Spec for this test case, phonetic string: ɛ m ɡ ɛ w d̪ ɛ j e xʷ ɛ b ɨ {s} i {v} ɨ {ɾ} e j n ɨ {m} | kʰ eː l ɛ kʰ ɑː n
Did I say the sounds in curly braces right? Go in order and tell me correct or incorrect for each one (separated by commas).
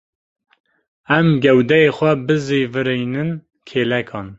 incorrect, correct, correct, incorrect